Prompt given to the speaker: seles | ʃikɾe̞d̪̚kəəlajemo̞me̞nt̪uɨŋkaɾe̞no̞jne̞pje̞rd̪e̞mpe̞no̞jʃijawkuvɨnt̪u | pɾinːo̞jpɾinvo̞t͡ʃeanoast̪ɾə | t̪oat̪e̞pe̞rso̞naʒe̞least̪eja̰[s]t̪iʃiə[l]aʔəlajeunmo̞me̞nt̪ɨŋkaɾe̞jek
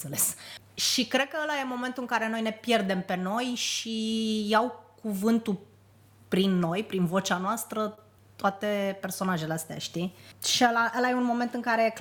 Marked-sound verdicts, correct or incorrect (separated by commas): incorrect, correct